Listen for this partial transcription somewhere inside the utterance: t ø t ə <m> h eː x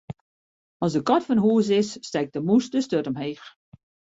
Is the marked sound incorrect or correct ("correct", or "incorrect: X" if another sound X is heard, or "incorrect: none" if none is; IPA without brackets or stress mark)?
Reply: correct